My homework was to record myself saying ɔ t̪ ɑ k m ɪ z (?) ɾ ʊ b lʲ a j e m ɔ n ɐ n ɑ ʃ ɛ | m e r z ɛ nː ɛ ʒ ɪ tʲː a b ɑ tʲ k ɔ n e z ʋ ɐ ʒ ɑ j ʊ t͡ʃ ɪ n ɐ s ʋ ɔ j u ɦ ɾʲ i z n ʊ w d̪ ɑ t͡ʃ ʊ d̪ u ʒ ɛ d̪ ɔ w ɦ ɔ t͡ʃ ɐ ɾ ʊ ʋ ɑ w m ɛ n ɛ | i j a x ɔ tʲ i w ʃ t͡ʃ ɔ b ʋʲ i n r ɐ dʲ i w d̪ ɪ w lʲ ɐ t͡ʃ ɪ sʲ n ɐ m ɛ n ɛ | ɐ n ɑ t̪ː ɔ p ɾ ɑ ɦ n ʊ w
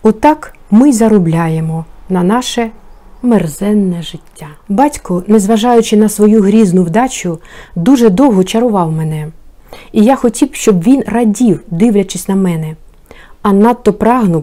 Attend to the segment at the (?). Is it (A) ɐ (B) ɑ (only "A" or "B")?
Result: A